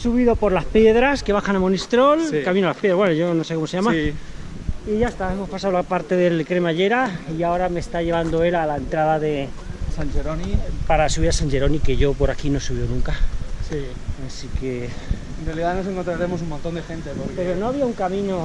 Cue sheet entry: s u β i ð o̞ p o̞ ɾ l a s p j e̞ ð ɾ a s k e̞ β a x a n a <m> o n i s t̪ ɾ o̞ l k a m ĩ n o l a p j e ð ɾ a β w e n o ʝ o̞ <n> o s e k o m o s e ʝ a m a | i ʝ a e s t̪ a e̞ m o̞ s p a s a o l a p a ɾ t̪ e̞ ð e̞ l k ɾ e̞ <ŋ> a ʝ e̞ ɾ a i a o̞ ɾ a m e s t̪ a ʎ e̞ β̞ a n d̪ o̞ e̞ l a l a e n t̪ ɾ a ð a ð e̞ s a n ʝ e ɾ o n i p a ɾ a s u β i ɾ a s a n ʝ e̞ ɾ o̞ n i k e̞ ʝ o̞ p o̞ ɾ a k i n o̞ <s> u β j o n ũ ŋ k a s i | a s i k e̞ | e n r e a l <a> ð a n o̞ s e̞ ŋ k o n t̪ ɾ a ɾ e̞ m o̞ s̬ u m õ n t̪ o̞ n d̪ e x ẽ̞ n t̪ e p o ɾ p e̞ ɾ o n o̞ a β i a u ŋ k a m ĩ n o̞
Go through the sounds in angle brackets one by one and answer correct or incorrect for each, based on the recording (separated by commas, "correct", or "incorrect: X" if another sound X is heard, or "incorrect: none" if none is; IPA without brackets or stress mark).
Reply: correct, correct, incorrect: m, correct, incorrect: i